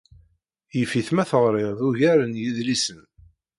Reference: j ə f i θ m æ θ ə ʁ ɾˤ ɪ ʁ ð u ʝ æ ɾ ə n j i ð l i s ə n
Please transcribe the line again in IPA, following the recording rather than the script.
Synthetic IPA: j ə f i θ m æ θ ə ʁ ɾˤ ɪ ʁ ð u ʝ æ ɾ ə n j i ð l i s ə n